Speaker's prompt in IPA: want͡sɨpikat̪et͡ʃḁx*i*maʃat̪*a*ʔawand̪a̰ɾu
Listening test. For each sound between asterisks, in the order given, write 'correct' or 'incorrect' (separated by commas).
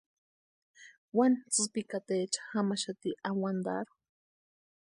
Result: incorrect, incorrect